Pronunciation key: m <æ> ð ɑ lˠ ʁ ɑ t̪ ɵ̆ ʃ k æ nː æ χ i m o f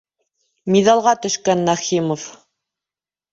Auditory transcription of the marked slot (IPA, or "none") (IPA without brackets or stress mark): i